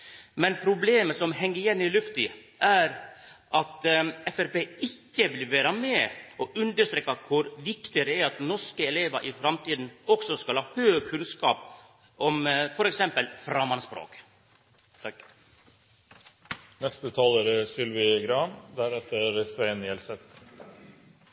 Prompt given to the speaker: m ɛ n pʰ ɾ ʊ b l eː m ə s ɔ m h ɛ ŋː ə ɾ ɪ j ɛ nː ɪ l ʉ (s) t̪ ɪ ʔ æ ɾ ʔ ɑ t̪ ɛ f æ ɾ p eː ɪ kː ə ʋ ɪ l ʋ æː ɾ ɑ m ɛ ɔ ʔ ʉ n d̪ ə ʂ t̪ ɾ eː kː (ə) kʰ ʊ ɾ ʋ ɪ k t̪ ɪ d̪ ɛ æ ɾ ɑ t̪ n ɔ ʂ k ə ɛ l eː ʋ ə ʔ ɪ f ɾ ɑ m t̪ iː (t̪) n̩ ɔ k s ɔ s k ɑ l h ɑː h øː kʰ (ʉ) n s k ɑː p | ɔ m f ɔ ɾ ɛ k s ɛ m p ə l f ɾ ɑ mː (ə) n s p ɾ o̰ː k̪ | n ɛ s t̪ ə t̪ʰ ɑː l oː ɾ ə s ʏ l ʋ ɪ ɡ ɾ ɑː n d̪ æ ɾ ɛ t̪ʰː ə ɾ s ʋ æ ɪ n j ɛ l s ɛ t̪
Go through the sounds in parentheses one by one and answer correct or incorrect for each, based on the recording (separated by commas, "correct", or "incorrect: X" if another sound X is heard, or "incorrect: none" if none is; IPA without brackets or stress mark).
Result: incorrect: f, incorrect: ɑ, incorrect: d̪, correct, incorrect: ɑ